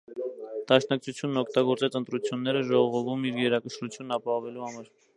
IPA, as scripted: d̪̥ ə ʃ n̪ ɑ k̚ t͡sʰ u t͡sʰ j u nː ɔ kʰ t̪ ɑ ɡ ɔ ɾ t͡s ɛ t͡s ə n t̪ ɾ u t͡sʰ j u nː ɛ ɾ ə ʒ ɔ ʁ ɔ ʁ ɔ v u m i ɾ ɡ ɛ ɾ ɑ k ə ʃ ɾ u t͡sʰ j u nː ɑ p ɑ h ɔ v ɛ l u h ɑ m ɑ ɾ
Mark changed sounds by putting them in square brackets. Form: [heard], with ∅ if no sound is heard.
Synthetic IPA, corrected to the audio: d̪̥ [ɑ] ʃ n̪ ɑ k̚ t͡sʰ u t͡sʰ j u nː ɔ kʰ t̪ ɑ ɡ ɔ ɾ t͡s ɛ t͡s ə n t̪ ɾ u t͡sʰ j u nː ɛ ɾ ə ʒ ɔ ʁ ɔ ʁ ɔ v u m i ɾ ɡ ɛ ɾ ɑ k ə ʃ ɾ u t͡sʰ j u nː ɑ p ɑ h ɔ v ɛ l u h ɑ m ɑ ɾ